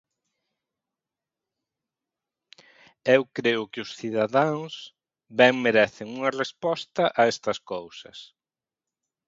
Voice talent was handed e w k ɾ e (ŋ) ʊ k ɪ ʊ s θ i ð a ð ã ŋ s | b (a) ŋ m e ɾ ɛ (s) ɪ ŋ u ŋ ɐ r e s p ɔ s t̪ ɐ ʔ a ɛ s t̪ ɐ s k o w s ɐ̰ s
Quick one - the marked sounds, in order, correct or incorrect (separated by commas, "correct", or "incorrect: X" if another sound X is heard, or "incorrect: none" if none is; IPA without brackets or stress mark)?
incorrect: none, incorrect: ɛ, incorrect: θ